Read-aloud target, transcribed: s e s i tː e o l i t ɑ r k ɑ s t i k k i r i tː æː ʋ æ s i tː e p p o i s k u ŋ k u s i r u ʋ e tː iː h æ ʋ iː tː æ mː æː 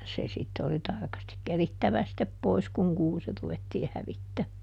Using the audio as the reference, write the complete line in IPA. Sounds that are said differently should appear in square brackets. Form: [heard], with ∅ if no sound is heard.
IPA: s e s i tː e o l i t ɑ r k ɑ s t i k k [e] r i tː [æ] ʋ æ s i tː e p p o i s k u ŋ k [uː] s i r u ʋ e tː iː h æ ʋ [i] tː æ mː æː